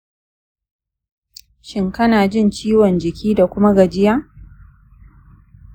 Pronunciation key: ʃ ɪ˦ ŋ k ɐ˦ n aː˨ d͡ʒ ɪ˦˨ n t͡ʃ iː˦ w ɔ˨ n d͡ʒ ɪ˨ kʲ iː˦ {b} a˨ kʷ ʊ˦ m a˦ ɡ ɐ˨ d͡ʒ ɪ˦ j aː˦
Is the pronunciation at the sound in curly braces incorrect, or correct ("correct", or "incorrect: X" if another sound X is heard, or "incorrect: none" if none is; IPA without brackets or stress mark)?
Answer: incorrect: d